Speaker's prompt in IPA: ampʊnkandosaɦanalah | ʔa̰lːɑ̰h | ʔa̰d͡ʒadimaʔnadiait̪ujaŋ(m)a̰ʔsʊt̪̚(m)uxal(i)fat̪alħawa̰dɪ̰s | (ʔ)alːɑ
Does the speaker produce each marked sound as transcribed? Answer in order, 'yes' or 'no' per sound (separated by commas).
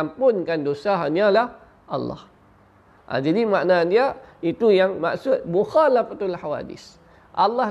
yes, yes, no, yes